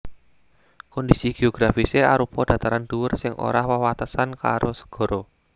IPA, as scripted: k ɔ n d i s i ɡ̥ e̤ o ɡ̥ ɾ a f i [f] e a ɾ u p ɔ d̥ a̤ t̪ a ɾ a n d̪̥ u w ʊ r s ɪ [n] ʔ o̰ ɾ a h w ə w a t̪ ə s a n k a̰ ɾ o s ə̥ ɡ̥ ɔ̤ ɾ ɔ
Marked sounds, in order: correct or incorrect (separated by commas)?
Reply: incorrect, incorrect